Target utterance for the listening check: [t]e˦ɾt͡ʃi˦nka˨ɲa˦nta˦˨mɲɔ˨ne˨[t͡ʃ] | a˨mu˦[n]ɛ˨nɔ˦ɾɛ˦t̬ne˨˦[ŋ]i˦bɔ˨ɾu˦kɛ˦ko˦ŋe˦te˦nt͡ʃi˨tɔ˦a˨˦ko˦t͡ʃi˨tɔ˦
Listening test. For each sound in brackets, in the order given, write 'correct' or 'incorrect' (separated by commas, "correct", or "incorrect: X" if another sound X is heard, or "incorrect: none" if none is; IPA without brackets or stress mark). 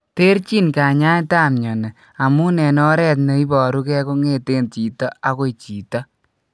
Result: correct, incorrect: none, correct, incorrect: none